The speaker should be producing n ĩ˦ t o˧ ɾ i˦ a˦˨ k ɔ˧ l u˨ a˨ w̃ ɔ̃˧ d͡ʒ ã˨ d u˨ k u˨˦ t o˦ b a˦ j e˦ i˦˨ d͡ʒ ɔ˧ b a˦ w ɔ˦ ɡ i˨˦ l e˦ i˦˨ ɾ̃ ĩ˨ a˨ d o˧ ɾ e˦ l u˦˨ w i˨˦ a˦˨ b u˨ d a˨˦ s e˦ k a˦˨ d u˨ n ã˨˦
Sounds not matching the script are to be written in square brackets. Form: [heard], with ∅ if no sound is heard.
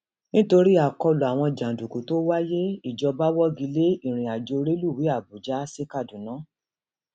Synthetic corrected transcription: n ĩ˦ t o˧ ɾ i˦ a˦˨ k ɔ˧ l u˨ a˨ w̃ ɔ̃˧ d͡ʒ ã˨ d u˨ k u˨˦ t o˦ [w] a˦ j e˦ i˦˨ d͡ʒ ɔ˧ b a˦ w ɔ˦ ɡ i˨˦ l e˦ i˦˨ ɾ̃ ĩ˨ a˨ [d͡ʒ] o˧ ɾ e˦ l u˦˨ w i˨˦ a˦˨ b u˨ [d͡ʒ] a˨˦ s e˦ k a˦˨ d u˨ n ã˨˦